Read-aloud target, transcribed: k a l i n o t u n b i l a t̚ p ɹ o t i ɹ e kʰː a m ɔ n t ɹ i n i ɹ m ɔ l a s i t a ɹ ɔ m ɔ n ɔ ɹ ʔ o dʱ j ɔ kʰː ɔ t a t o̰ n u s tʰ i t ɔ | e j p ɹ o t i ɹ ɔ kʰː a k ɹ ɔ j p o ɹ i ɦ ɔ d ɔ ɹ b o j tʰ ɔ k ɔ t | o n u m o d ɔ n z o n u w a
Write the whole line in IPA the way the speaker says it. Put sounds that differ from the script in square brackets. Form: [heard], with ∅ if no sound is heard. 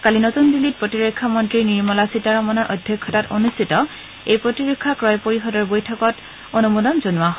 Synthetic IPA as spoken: k a l i n o t u n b i l [i] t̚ p ɹ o t i ɹ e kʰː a m ɔ n t ɹ i n i ɹ m ɔ l a s i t a ɹ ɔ m ɔ n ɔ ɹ ʔ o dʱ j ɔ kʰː ɔ t a t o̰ n u s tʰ i t ɔ | e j p ɹ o t i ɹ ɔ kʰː a k ɹ ɔ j p o ɹ i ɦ ɔ d ɔ ɹ b o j tʰ ɔ k ɔ t | o n u m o d ɔ n z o n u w a

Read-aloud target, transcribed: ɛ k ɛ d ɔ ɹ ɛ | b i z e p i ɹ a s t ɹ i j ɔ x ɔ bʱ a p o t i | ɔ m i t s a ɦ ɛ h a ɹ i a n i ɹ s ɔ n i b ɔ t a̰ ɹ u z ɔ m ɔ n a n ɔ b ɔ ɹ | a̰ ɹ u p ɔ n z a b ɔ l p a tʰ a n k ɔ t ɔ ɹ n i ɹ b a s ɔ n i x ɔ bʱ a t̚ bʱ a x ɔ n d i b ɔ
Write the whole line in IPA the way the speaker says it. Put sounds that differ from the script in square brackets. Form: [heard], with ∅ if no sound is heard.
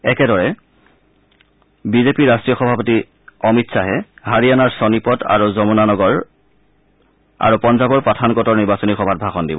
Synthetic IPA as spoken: ɛ k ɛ d ɔ ɹ ɛ | b i z e p i ɹ a s t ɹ i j ɔ x ɔ bʱ a p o t i | ɔ m i t s a ɦ ɛ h a ɹ i a n [a] ɹ s ɔ n i [p] ɔ t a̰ ɹ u z ɔ m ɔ n a n ɔ [ɡ] ɔ ɹ | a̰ ɹ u p ɔ n z a b ɔ [ɹ] p a tʰ a n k ɔ t ɔ ɹ n i ɹ b a s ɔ n i x ɔ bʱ a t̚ bʱ a x ɔ n d i b ɔ

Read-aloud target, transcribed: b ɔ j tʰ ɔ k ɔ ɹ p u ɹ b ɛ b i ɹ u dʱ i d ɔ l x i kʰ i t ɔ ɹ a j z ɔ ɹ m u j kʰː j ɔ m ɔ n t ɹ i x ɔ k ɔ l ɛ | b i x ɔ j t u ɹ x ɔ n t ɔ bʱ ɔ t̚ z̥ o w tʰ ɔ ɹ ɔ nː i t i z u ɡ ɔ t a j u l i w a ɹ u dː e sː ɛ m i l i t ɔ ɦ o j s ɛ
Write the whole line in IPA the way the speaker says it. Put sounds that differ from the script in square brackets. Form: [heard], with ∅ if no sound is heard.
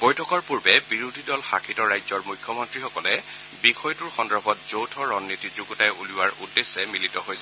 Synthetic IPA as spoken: b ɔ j tʰ ɔ k ɔ ɹ p u ɹ b ɛ b i ɹ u dʱ i d ɔ l x [a] kʰ i t ɔ ɹ a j z ɔ ɹ m u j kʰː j ɔ m ɔ n t ɹ i x ɔ k ɔ l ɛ | b i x ɔ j t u ɹ x ɔ n [d] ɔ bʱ ɔ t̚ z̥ o w tʰ ɔ ɹ ɔ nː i t i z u ɡ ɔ t a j u l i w a ɹ u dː e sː ɛ m i l i t ɔ ɦ o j s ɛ

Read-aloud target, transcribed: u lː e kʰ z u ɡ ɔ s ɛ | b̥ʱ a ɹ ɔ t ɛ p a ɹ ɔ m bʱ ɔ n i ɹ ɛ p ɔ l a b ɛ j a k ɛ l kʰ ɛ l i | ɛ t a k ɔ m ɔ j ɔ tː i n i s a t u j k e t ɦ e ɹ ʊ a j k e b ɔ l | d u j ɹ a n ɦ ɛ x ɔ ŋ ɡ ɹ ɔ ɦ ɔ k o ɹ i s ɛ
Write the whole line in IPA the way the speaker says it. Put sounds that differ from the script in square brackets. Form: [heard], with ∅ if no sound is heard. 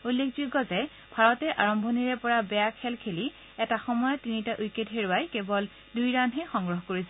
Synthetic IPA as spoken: u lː e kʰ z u ɡ ɔ [z] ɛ | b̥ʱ a ɹ ɔ t ɛ [ʔ] a ɹ ɔ m bʱ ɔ n i ɹ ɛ p ɔ [ɹ] a b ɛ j a [kʰ] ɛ l kʰ [e] l i | ɛ t a [x] ɔ m ɔ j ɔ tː i n i [t] a [ʔ] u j k e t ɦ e ɹ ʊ a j k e b ɔ l | d u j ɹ a n ɦ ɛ x ɔ ŋ ɡ ɹ ɔ ɦ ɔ k o ɹ i s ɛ

